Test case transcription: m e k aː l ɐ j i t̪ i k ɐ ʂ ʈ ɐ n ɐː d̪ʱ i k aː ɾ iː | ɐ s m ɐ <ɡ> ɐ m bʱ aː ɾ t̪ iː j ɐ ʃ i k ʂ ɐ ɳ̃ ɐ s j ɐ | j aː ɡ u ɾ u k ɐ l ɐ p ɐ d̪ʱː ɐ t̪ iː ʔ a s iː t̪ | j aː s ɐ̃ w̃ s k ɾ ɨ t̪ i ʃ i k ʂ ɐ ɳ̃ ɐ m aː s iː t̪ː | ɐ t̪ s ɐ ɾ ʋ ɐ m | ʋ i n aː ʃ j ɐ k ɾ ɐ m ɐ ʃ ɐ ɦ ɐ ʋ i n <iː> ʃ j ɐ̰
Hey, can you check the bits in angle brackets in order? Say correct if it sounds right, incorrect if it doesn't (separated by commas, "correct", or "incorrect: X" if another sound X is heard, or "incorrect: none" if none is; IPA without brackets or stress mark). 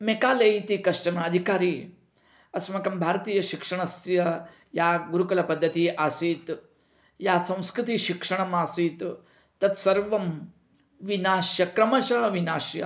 incorrect: k, incorrect: aː